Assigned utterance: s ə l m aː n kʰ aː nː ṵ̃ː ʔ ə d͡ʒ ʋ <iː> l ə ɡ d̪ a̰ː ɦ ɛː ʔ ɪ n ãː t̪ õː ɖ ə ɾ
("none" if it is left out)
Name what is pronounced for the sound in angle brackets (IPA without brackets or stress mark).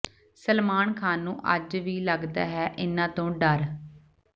iː